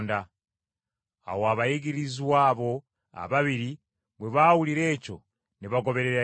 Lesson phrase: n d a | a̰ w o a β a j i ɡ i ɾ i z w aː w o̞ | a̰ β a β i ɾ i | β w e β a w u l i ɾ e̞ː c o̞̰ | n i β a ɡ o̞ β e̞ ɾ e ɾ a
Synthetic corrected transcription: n d a | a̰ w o a β a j i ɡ i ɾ i z w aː β o̞ | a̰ β a β i ɾ i | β w e β a w u l i ɾ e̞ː c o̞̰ | n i β a ɡ o̞ β e̞ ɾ e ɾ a

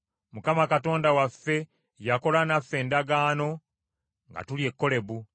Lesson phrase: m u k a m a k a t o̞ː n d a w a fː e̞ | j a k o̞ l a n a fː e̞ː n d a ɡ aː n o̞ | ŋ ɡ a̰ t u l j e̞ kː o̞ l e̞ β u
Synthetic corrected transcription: m u k a m a k a t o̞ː n d a w a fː e̞ | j a k o̞ l a n a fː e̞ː n d a ɡ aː n o̞ | ŋ ɡ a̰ t u l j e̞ kː o̞ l e̞ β u

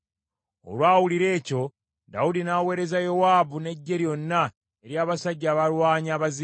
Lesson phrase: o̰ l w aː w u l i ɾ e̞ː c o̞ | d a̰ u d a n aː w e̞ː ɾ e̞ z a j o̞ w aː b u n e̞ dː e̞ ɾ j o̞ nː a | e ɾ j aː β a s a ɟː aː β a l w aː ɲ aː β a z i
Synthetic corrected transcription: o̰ l w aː w u l i ɾ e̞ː c o̞ | d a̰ u d i n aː w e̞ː ɾ e̞ z a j o̞ w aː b u n e̞ ɟː e̞ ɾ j o̞ nː a | e ɾ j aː β a s a ɟː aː β a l w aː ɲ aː β a z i

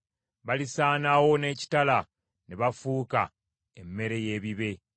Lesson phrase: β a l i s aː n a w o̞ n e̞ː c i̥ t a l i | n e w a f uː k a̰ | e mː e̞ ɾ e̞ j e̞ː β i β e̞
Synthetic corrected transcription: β a l i s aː n a w o̞ n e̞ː c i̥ t a l a | n e β a f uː k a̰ | e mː e̞ ɾ e̞ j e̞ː β i β e̞

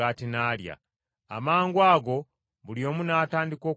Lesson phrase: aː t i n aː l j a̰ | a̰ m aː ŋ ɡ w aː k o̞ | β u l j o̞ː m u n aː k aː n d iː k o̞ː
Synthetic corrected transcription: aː t i n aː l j a̰ | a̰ m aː ŋ ɡ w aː ɡ o̞ | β u l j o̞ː m u n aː t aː n d i k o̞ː

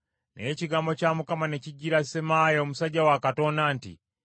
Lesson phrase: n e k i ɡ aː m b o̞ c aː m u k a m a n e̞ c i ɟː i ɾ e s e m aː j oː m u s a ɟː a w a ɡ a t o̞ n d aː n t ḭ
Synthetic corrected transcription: n e c i ɡ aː m b o̞ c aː m u k a m a n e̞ c i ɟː i ɾ a s e m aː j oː m u s a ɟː a w a k a t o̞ n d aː n t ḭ

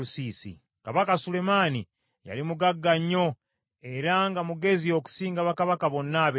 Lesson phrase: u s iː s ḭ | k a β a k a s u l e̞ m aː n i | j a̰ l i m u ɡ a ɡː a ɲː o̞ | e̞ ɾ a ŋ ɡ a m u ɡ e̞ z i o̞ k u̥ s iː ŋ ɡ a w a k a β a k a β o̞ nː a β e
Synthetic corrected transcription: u s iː s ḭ | k a β a k a s u l e̞ m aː n i | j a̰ l i m u ɡ a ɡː a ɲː o̞ | e̞ ɾ a ŋ ɡ a m u ɡ e̞ z i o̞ k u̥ s iː ŋ ɡ a β a k a β a k a β o̞ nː a β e

